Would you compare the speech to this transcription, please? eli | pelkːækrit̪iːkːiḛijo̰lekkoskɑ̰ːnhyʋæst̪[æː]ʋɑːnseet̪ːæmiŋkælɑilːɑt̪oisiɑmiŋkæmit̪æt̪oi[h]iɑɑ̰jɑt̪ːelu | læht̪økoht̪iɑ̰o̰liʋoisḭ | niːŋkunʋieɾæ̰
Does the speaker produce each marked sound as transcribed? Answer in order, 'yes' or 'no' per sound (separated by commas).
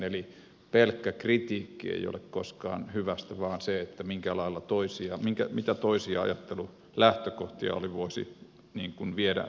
no, no